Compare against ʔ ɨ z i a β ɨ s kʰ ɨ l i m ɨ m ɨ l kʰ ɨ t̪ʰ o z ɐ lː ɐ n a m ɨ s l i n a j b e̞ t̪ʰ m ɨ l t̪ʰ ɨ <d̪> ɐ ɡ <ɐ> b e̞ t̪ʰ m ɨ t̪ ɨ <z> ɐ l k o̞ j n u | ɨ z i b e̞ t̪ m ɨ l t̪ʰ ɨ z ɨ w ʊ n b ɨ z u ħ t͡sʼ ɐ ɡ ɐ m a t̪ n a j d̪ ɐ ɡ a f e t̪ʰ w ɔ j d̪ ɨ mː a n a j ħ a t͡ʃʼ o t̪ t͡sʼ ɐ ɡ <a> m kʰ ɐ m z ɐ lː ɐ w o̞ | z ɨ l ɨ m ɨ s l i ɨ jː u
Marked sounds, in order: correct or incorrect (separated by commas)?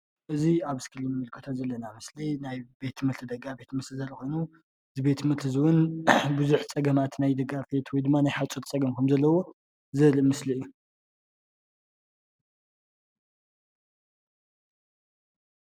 correct, incorrect, correct, incorrect